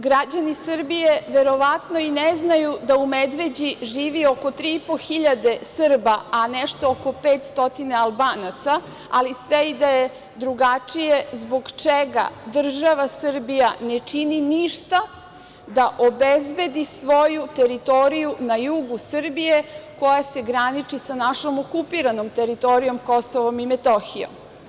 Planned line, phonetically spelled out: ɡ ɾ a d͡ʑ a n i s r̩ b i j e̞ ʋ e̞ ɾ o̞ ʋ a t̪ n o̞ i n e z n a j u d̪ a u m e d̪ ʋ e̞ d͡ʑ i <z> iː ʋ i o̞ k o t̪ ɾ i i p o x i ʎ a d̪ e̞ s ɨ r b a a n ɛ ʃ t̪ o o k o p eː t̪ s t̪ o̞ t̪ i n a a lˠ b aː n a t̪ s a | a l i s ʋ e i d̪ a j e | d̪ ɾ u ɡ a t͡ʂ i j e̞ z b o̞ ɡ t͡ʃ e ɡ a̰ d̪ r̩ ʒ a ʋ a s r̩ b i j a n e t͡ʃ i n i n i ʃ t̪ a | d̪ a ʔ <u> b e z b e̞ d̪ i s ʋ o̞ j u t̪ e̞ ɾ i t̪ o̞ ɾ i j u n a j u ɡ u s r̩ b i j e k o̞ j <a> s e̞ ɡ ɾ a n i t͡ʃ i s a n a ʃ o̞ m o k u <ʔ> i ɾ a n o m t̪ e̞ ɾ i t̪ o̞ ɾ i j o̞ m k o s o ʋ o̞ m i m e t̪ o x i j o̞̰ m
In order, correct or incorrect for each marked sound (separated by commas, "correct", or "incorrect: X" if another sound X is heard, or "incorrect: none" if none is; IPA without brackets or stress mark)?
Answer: incorrect: ʒ, incorrect: o, correct, incorrect: p